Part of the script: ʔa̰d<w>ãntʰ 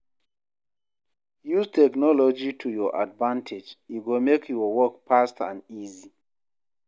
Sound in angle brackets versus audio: incorrect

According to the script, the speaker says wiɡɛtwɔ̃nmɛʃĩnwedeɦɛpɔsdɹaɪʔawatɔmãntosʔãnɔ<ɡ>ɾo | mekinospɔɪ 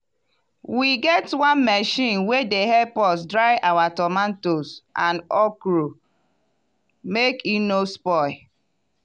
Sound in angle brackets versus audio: incorrect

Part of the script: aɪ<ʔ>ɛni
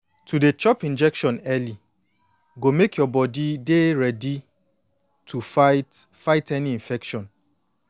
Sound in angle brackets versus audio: incorrect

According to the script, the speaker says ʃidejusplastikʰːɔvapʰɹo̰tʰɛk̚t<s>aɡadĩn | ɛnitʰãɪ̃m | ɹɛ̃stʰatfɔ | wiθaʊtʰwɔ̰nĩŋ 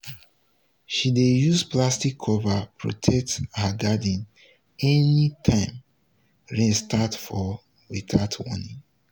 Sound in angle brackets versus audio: incorrect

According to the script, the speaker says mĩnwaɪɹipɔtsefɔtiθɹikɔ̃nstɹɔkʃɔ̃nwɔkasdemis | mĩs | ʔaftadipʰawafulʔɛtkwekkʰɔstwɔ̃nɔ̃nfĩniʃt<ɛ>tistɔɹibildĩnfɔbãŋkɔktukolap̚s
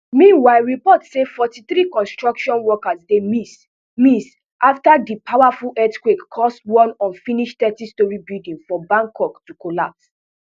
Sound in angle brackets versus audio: correct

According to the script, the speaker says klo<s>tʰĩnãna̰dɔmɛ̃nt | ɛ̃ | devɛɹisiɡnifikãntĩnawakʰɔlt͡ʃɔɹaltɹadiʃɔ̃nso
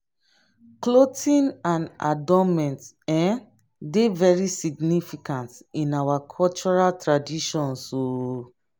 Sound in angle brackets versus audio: incorrect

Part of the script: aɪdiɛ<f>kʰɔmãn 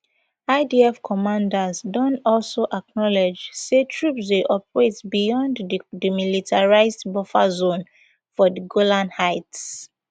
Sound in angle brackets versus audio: correct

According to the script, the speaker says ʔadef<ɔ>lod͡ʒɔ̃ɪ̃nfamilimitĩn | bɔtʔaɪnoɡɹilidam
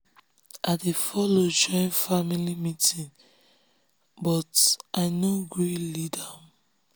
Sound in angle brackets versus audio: correct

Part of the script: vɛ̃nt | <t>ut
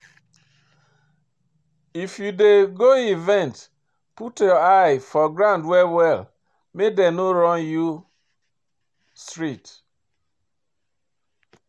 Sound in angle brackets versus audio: incorrect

